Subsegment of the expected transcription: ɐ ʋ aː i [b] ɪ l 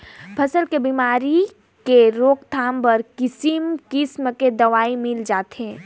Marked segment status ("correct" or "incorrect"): incorrect